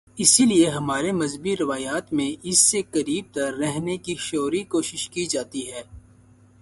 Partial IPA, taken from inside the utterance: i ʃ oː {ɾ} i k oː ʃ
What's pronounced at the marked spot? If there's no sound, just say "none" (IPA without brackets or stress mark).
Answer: ɾ